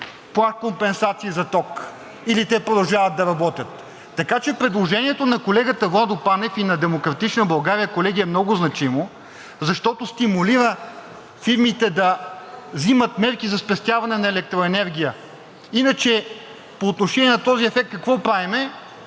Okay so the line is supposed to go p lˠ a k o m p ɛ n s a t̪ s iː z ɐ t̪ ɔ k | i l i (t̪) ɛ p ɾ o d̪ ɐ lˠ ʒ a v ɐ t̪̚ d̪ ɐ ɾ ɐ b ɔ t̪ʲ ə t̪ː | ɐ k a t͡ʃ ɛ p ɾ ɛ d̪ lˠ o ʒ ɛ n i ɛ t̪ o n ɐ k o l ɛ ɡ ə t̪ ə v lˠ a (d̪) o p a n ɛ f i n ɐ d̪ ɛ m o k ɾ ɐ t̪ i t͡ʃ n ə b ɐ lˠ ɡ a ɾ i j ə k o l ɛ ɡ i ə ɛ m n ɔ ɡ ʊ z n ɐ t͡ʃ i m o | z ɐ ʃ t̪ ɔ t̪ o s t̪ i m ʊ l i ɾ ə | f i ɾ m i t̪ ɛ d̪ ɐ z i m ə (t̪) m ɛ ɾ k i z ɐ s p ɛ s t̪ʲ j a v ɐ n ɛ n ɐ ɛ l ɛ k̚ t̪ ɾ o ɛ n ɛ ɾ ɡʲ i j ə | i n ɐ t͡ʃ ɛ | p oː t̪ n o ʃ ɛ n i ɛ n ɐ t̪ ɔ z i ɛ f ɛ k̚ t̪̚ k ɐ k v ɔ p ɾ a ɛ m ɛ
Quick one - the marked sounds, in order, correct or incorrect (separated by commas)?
correct, correct, correct